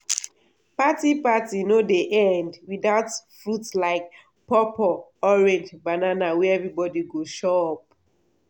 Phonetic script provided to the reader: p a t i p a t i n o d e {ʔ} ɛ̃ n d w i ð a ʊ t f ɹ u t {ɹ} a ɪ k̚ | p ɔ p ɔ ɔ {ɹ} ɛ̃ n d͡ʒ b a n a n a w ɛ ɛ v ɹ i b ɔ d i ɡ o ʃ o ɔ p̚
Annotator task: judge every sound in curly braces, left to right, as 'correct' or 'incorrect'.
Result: correct, incorrect, correct

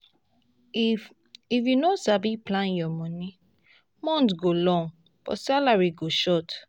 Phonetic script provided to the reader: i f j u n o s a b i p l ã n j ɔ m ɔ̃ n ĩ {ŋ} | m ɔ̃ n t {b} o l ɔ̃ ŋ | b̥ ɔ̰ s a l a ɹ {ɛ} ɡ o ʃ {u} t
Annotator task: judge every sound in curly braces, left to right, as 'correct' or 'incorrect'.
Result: incorrect, incorrect, incorrect, incorrect

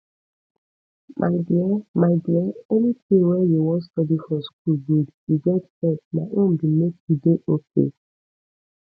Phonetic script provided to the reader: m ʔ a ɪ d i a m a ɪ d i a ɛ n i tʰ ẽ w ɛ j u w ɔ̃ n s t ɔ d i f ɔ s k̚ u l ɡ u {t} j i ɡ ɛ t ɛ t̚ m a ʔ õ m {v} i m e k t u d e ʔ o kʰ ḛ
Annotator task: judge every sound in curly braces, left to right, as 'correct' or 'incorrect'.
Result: incorrect, incorrect

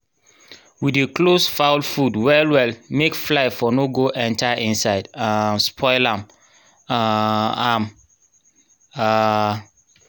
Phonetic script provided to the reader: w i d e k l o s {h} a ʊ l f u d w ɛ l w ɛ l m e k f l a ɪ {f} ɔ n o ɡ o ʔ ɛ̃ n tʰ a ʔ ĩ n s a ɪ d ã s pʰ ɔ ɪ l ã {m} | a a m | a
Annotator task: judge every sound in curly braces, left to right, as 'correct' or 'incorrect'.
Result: incorrect, correct, correct

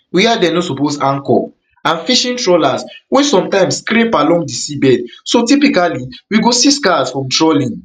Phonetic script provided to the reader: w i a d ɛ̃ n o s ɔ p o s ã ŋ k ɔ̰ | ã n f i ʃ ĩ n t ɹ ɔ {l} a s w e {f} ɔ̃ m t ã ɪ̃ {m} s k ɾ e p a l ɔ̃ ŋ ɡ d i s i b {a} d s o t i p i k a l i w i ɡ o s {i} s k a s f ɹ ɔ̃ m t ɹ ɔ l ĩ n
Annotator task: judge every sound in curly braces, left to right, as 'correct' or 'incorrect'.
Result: correct, incorrect, correct, incorrect, correct

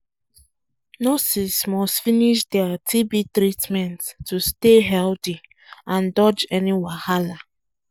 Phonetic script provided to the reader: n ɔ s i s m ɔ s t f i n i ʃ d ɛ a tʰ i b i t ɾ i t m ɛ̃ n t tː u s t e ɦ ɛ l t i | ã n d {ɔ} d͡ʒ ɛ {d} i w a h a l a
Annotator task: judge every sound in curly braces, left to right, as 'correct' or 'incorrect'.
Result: correct, incorrect

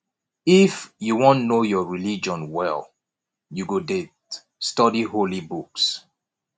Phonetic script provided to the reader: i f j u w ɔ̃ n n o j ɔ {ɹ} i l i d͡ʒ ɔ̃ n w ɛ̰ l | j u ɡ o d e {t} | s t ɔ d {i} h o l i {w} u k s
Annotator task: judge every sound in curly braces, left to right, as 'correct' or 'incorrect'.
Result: correct, correct, correct, incorrect

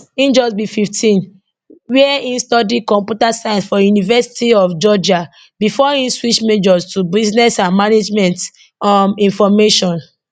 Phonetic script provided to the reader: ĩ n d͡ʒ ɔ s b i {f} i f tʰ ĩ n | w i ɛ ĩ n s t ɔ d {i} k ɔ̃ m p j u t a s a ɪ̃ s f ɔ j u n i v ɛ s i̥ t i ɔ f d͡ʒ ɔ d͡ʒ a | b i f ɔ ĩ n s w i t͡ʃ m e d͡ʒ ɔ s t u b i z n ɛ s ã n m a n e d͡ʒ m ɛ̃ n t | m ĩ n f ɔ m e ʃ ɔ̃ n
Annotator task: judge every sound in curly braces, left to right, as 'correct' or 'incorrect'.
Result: correct, correct

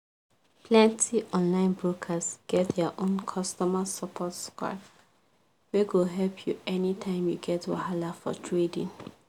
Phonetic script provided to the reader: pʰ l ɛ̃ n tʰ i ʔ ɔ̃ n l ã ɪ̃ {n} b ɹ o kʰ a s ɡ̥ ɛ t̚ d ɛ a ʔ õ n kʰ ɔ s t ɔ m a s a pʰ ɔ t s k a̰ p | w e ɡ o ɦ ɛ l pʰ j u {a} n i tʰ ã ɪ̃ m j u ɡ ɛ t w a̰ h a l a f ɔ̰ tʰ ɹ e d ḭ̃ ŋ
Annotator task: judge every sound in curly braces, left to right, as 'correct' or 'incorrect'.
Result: correct, incorrect

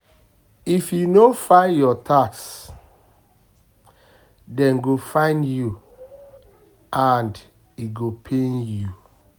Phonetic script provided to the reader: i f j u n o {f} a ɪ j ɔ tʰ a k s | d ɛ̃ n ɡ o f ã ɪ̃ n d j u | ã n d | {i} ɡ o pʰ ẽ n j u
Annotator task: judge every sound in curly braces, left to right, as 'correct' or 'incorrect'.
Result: correct, correct

